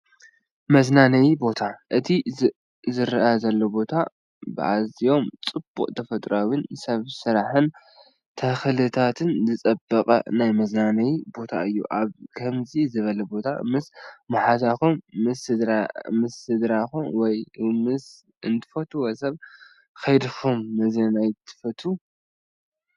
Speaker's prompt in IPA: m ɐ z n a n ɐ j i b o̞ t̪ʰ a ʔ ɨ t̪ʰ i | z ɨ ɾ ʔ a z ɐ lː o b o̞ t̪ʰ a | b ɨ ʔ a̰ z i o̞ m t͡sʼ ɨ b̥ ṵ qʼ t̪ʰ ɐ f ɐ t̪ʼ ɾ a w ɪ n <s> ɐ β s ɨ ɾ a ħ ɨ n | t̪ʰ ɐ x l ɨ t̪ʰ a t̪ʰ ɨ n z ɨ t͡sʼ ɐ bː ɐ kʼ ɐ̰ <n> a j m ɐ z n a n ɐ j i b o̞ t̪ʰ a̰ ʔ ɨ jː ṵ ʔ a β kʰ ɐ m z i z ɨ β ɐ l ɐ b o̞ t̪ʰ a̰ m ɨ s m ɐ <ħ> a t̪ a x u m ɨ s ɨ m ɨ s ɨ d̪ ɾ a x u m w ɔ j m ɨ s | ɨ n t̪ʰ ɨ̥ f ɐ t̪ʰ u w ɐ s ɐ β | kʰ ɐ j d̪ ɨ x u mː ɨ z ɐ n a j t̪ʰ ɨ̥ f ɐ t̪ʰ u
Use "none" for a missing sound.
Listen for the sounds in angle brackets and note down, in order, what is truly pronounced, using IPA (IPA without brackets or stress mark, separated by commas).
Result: s, n, ħ